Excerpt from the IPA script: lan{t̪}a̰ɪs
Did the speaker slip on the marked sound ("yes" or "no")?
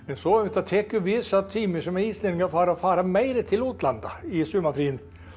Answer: yes